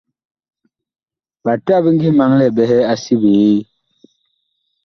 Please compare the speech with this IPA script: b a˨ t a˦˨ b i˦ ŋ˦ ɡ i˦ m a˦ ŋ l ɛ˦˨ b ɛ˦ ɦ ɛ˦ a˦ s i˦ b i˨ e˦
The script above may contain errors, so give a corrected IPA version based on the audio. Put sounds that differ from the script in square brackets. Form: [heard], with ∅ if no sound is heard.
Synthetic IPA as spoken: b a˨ t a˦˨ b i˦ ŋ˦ ɡ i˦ m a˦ ŋ l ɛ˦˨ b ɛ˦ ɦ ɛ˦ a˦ s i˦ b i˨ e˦